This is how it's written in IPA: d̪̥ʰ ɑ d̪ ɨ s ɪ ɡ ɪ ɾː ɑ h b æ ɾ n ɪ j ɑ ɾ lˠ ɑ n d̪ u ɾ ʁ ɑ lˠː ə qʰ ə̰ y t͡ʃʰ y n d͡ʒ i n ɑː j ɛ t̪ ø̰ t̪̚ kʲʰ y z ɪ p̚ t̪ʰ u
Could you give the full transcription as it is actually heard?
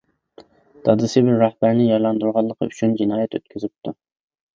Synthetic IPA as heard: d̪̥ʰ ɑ d̪ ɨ s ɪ b ɪ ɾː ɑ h b æ ɾ n ɪ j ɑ ɾ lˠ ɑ n d̪ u ɾ ʁ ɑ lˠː ə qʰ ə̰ y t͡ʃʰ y n d͡ʒ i n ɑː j ɛ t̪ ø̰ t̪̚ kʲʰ y z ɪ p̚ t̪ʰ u